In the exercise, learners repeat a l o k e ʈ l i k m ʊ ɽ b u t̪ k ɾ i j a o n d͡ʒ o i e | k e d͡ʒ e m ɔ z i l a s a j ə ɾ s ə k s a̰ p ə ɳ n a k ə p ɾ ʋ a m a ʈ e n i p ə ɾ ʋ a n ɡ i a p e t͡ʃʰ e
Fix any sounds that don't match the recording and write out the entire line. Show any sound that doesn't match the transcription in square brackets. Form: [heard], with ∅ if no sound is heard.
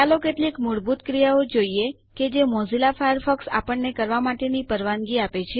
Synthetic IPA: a l o k e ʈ l i k m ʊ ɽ b u t̪ k ɾ i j a o [∅] d͡ʒ o i e | k e d͡ʒ e m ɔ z i l a [f] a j ə ɾ [f] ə k s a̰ p ə ɳ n [e] k ə [∅] ɾ ʋ a m a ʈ e n i p ə ɾ ʋ a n ɡ i a p e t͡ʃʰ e

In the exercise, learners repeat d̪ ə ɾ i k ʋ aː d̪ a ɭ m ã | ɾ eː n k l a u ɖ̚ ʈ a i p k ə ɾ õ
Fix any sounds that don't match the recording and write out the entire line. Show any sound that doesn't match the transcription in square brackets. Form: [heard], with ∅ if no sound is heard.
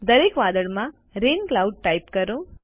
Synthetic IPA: d̪ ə ɾ [e] k ʋ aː d̪ [ə] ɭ m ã | ɾ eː n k l a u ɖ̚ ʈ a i p k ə ɾ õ

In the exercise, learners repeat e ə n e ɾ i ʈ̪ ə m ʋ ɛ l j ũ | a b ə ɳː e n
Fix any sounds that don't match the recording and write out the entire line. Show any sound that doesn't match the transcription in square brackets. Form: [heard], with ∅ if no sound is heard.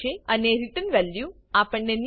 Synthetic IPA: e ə n e ɾ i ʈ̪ ə [n] ʋ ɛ l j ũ | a [p] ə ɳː e n

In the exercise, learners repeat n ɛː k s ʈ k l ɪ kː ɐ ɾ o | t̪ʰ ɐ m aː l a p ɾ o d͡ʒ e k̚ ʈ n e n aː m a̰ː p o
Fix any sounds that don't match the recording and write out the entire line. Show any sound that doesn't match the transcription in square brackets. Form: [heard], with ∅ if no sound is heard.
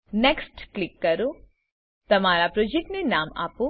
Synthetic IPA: n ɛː k s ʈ k l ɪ kː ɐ ɾ o | [t̪] ɐ m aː [ɾ] a p ɾ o d͡ʒ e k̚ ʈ n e n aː m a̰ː p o

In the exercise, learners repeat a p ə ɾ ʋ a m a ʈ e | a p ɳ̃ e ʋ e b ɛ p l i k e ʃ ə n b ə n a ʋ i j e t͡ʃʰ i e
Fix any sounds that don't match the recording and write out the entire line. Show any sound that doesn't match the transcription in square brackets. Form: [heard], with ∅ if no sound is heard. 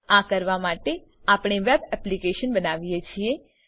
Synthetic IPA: a [k] ə ɾ ʋ a m a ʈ e | a p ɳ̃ e ʋ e b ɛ p l i k e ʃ ə n b ə n a ʋ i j e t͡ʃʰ i e

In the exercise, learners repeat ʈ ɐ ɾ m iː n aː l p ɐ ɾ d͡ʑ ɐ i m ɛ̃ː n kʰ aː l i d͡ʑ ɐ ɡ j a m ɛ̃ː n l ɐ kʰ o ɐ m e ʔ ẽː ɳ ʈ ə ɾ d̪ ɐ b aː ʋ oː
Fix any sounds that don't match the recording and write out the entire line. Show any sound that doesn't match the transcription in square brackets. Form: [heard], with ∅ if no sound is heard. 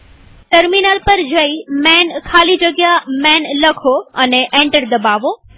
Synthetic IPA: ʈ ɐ ɾ m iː n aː l p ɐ ɾ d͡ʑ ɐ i m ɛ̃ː n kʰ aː l i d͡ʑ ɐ ɡ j a m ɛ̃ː n l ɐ kʰ o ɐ [n] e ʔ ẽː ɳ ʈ ə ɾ d̪ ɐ b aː ʋ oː

